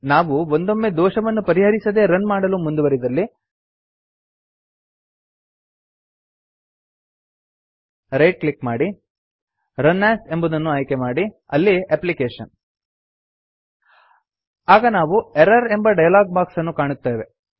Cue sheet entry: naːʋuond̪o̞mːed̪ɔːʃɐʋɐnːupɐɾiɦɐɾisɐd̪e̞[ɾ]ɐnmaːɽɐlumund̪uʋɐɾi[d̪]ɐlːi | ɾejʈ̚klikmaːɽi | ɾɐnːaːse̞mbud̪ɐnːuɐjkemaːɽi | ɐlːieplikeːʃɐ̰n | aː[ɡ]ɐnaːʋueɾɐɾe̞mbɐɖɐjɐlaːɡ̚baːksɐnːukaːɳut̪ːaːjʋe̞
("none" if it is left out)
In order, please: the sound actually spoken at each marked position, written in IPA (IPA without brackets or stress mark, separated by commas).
ɾ, d̪, ɡ